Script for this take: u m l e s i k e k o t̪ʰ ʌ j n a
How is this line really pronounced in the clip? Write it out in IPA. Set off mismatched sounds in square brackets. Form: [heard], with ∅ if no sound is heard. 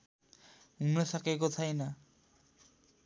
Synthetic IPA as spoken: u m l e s [a] k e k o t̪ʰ [a] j n a